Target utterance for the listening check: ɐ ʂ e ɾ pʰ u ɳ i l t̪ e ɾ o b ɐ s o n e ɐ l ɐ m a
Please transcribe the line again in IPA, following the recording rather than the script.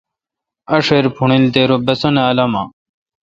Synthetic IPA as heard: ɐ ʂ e ɾ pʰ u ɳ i l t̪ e ɾ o b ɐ s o n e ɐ l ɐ m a